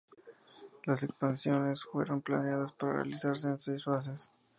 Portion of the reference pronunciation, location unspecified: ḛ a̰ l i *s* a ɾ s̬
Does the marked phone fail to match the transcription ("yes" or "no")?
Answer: no